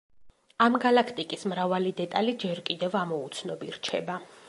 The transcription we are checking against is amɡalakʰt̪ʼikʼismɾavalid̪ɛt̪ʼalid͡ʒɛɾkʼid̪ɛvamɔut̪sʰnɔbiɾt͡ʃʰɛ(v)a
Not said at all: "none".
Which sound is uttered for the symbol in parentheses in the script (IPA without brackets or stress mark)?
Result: b